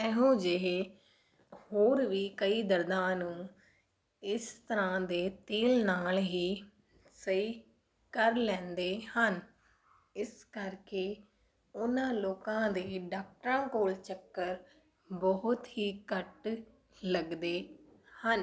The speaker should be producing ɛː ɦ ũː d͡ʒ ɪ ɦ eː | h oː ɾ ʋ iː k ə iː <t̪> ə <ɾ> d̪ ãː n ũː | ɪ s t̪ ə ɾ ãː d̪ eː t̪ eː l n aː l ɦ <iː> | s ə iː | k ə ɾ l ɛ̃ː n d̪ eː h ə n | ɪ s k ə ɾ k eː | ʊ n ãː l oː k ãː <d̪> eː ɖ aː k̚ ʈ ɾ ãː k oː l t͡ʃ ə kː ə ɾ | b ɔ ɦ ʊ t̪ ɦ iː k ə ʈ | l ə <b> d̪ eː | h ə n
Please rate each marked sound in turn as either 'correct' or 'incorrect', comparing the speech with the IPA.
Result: incorrect, correct, correct, correct, incorrect

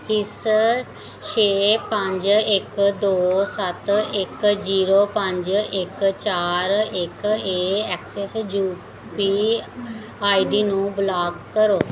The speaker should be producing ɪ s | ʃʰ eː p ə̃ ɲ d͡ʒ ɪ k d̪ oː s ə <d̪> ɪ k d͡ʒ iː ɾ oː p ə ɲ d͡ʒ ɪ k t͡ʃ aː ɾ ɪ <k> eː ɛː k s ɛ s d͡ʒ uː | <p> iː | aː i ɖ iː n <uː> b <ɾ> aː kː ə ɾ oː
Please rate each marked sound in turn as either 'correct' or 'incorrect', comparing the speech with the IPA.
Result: incorrect, correct, correct, incorrect, incorrect

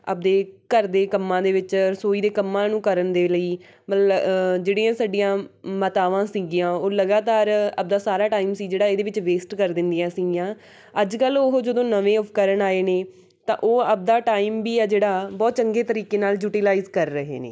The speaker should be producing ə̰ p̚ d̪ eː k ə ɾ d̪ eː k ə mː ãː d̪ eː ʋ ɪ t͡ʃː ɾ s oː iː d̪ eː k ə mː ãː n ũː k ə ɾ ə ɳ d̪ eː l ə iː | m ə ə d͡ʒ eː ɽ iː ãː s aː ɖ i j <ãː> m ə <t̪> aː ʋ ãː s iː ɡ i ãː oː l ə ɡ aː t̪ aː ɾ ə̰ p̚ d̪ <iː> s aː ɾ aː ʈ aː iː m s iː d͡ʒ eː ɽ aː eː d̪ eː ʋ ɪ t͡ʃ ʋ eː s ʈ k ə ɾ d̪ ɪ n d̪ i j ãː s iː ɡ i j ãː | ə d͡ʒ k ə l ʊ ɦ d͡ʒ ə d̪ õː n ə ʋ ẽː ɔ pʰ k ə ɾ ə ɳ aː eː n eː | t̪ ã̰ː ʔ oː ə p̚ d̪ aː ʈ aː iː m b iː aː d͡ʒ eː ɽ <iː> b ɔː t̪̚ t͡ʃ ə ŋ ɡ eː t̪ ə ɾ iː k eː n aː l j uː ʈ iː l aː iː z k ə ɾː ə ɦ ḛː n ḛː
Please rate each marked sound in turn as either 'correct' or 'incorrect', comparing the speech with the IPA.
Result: correct, correct, incorrect, incorrect

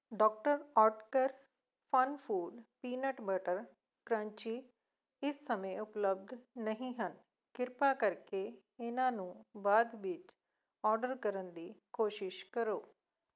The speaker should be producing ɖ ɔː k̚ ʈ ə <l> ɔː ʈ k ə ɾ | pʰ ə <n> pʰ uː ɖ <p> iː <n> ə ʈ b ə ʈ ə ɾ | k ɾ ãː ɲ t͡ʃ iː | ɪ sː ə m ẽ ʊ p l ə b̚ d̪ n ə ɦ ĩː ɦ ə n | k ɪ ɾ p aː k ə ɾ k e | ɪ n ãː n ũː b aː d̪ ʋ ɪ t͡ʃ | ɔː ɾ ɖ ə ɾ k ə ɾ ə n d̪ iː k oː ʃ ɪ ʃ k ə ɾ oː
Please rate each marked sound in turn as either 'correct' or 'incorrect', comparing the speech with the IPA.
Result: incorrect, correct, correct, correct

